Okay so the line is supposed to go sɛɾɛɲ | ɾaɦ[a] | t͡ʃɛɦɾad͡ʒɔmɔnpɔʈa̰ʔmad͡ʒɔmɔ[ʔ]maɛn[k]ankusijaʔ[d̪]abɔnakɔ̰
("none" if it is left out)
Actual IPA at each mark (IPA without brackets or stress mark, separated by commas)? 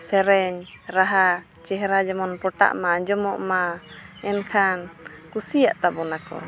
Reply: a, ʔ, kʰ, t̪